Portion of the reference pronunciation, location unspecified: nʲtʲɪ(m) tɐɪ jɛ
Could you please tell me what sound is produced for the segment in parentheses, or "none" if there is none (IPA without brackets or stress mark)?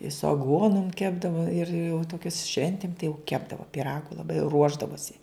m